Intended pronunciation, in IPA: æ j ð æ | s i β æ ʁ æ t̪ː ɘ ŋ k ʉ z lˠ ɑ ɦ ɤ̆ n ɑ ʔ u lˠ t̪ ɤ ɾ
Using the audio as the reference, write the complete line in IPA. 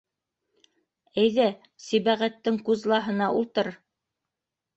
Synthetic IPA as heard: æ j ð æ | s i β æ ʁ æ t̪ː ɘ ŋ k ʉ z lˠ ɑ ɦ ɤ̆ n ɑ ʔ u lˠ t̪ ɤ ɾ